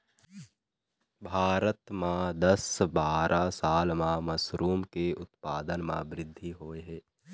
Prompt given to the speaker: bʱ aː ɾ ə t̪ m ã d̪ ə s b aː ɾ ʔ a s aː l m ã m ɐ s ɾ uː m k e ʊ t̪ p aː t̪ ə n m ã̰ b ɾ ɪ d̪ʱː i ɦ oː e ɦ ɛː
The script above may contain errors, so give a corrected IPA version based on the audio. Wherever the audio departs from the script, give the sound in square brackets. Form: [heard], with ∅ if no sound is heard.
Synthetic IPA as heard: bʱ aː ɾ ə t̪ m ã d̪ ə s b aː ɾ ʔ a s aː l m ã m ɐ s ɾ uː m k e ʊ t̪ p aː [d̪] ə n m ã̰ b ɾ ɪ d̪ʱː i ɦ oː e ɦ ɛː